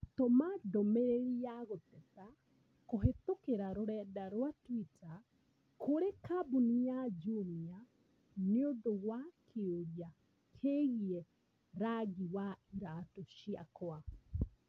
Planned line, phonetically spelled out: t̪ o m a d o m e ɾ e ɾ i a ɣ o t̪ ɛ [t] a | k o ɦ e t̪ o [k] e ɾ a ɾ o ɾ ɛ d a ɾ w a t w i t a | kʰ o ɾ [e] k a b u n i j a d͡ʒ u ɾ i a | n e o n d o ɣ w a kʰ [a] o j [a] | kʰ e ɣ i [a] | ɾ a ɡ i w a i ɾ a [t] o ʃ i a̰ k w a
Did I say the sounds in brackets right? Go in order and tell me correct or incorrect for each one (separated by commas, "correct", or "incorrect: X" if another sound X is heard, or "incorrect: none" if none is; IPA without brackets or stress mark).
correct, correct, correct, incorrect: e, correct, incorrect: ɛ, correct